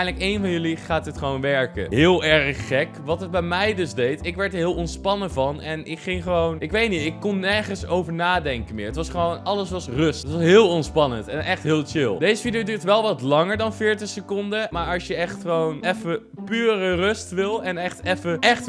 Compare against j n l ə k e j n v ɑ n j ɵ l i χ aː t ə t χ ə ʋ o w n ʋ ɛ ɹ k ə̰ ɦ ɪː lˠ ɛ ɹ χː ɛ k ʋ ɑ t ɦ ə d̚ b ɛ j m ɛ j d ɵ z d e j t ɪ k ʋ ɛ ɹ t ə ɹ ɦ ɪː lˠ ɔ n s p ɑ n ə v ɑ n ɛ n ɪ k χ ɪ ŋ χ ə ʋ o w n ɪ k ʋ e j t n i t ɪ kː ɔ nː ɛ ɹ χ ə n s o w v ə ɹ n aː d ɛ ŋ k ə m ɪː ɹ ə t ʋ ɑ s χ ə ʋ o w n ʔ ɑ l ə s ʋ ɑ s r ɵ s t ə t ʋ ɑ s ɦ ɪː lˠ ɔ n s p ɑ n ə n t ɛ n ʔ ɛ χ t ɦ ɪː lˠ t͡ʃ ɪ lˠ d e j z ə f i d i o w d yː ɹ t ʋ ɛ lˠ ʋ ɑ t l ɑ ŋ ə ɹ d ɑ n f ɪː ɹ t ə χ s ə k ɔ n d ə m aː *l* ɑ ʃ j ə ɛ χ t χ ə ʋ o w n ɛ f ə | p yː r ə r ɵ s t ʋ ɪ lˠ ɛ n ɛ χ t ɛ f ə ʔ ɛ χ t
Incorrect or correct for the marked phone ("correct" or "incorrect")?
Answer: incorrect